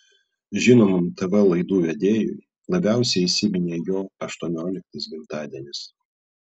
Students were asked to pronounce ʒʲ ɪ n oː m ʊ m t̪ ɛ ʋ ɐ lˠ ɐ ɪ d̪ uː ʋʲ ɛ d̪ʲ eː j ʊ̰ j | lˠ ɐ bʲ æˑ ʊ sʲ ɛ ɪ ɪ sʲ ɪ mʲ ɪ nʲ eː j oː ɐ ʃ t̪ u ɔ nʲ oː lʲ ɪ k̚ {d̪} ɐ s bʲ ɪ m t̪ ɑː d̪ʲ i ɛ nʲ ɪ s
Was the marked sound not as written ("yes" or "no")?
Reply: yes